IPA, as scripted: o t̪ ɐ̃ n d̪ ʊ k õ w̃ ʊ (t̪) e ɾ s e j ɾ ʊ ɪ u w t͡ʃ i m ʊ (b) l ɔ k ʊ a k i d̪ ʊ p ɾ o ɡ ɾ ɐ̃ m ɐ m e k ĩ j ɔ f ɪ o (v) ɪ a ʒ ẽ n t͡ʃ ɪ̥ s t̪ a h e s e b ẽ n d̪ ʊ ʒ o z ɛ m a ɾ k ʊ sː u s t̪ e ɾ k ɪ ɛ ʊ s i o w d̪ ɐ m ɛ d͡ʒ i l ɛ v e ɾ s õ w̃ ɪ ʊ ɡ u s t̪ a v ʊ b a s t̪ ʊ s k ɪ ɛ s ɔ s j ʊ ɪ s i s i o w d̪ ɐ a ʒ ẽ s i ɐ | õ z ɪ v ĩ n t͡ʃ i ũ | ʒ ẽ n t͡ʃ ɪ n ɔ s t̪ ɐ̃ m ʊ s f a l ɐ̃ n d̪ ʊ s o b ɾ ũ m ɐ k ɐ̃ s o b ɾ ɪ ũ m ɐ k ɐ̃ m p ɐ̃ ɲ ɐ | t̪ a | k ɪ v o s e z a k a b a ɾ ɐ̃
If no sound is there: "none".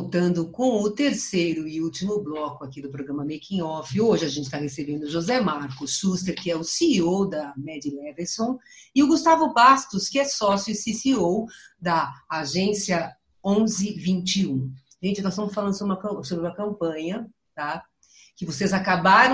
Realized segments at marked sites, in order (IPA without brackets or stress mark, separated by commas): t̪, b, ʒ